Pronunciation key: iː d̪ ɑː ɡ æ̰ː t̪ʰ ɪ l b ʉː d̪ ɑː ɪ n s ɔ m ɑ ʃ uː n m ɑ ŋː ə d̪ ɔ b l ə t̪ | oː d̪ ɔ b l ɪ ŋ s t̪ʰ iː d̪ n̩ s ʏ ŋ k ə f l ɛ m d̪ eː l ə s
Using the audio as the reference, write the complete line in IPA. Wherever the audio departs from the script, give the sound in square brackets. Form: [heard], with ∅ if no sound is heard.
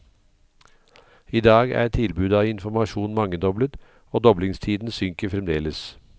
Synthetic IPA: iː d̪ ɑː ɡ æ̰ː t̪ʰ ɪ l b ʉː d̪ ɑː ɪ n [f] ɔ m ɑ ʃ uː n m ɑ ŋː ə d̪ ɔ b l ə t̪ | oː d̪ ɔ b l ɪ ŋ s t̪ʰ iː d̪ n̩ s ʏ ŋ k ə f [ɾ] ɛ m d̪ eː l ə s